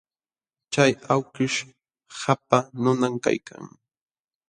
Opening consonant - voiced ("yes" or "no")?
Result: no